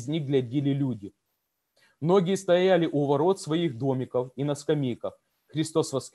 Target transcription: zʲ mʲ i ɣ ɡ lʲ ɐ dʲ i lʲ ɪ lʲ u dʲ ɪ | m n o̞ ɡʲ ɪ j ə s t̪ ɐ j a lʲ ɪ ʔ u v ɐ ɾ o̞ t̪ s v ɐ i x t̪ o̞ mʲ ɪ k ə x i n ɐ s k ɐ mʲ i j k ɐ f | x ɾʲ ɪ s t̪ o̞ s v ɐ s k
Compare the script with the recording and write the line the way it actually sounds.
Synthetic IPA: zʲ nʲ i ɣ ɡ lʲ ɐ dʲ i lʲ ɪ lʲ u dʲ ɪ | m n o̞ ɡʲ ɪ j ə s t̪ ɐ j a lʲ ɪ ʔ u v ɐ ɾ o̞ t̪ s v ɐ i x d̪ o̞ mʲ ɪ k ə f i n ɐ s k ɐ mʲ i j k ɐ f | x ɾʲ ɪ s t̪ o̞ s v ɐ s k